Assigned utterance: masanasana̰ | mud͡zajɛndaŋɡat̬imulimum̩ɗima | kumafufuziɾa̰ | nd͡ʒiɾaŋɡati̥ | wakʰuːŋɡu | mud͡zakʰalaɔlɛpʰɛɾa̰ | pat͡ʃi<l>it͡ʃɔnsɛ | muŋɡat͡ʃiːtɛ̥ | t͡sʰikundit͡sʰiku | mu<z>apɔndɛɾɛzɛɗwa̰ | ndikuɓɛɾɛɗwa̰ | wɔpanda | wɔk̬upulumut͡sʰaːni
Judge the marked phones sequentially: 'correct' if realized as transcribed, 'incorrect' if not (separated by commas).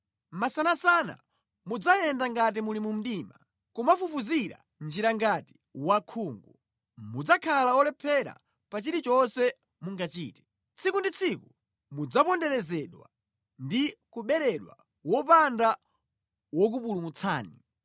incorrect, incorrect